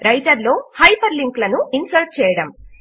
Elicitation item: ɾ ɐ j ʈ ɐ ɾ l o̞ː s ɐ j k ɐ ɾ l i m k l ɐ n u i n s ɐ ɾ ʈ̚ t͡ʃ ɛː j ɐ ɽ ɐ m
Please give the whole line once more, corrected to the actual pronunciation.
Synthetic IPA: ɾ ɐ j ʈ ɐ ɾ l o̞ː h ɐ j p ɐ ɾ l i ŋ k l ɐ n u i n s ɐ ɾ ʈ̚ t͡ʃ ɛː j ɐ ɽ ɐ m

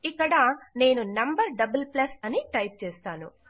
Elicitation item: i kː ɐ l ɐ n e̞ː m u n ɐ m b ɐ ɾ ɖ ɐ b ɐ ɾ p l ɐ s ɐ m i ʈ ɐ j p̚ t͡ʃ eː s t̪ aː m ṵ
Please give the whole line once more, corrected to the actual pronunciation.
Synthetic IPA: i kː ɐ ɽ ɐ n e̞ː n u n ɐ m b ɐ ɾ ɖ ɐ b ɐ l p l ɐ s ɐ n i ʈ ɐ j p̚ t͡ʃ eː s t̪ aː n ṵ

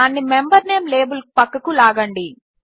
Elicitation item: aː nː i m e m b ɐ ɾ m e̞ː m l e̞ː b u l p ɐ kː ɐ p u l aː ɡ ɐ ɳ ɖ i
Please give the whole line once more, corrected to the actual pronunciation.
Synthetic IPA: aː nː i m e m b ɐ ɾ n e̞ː m l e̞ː b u l p ɐ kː ɐ k u l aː ɡ ɐ ɳ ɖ i

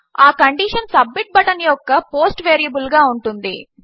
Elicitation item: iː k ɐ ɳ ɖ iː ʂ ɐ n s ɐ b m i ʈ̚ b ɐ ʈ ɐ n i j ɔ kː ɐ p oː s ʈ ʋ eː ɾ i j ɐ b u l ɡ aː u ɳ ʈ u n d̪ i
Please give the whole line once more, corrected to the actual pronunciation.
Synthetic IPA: aː k ɐ ɳ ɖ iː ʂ ɐ n s ɐ b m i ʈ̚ b ɐ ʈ ɐ n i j ɔ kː ɐ p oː s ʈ ʋ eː ɾ i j ɐ b u l ɡ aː u ɳ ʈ u n d̪ i

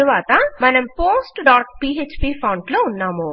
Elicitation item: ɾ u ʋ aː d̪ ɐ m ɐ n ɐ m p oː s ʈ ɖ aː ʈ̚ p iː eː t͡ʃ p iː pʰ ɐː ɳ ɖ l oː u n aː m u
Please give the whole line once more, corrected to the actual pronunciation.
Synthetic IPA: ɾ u ʋ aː t̪ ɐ m ɐ n ɐ m p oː s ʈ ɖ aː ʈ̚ p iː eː t͡ʃ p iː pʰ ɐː ɳ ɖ l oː u nː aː m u

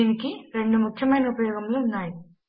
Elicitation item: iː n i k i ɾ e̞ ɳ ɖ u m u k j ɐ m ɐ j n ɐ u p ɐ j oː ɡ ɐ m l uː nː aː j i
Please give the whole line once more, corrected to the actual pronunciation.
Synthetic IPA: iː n i k i ɾ e̞ ɳ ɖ u m u kʰ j ɐ m ɐ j n ɐ u p ɐ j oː ɡ ɐ m l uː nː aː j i

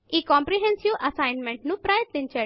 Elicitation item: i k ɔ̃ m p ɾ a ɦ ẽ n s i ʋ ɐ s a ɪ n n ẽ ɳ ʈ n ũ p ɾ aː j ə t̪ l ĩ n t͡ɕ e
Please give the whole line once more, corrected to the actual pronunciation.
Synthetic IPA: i k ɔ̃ m p ɾ i ɦ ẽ n s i ʋ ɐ s a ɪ n m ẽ ɳ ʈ n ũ p ɾ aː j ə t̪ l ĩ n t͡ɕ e

